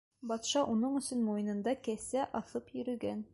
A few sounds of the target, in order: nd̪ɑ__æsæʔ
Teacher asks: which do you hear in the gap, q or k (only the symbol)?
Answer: k